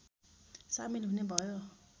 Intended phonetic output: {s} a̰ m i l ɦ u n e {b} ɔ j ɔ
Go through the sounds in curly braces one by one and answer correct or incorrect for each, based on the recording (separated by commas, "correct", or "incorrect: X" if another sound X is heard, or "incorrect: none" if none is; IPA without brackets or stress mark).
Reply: correct, correct